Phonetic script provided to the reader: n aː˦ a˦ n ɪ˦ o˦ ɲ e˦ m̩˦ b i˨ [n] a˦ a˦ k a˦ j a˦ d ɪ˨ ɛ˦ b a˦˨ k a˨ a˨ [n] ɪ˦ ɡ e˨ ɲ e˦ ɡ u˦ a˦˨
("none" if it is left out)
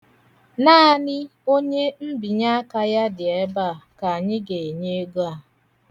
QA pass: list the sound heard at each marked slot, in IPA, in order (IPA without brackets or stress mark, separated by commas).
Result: ɲ, ɲ